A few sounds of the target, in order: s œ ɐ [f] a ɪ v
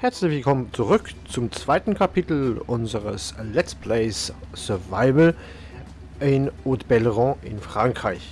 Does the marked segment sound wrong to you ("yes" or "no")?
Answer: yes